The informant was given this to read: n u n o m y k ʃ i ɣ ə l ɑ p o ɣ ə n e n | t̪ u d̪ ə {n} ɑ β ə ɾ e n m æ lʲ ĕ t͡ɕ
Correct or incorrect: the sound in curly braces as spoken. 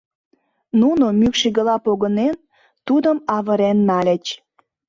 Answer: incorrect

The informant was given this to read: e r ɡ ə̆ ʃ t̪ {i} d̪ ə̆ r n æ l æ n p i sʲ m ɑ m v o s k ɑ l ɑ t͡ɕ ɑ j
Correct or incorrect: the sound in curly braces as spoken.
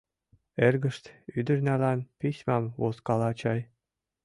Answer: incorrect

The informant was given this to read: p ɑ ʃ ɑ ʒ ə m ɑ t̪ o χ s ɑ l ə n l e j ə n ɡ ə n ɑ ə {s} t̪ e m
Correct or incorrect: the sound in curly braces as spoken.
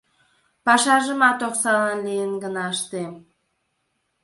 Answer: incorrect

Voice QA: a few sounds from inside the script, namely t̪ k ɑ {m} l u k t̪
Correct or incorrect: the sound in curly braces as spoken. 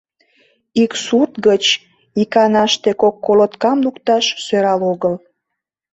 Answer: correct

